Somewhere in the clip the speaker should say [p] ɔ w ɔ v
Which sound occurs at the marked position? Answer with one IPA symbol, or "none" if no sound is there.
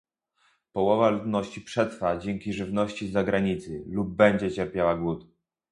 p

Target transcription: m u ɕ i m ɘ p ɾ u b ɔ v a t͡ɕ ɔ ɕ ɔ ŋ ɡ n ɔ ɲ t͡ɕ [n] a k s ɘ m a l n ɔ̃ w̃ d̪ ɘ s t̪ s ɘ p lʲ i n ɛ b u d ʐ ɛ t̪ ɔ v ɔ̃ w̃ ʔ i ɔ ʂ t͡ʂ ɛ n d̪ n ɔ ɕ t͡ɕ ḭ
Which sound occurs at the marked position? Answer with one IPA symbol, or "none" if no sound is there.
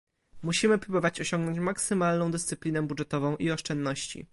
m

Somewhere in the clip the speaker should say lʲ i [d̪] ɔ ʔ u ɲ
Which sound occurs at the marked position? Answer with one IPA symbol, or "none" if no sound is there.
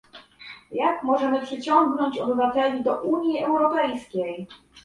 d̪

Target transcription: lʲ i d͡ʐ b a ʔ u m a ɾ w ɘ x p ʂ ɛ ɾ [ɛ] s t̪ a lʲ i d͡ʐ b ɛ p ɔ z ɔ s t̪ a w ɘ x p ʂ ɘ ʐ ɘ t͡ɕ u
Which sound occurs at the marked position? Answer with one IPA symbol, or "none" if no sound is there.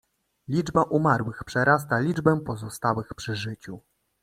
a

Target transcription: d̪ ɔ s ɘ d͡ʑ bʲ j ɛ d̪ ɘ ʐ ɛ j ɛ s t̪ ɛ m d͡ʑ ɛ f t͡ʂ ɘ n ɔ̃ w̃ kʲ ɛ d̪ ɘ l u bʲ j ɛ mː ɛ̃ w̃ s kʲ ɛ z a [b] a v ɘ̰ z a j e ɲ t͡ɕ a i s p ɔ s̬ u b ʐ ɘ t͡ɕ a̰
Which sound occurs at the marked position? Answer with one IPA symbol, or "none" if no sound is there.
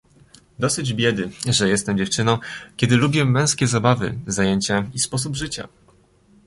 b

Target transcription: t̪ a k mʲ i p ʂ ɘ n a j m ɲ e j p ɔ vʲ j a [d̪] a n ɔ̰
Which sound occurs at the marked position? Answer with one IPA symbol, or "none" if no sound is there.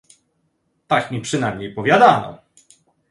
d̪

